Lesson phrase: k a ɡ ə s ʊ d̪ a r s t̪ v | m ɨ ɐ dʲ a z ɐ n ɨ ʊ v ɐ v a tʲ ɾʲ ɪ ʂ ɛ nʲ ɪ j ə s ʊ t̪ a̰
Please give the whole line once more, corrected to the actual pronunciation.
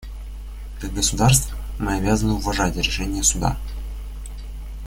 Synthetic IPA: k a ɡ ə s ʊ d̪ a r s t̪ v | m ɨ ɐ bʲ a z ə n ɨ ʊ v ɐ ʐ a tʲ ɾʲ ɪ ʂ ɛ nʲ ɪ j ə s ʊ d̪ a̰